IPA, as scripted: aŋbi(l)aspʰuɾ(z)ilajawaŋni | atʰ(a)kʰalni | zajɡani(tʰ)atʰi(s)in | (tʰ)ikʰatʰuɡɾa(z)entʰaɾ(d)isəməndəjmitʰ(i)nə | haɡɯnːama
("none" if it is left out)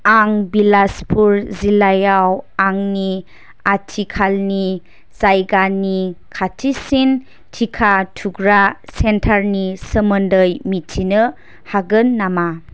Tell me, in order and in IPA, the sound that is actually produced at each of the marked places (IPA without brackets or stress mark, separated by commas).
l, z, i, kʰ, s, tʰ, s, n, i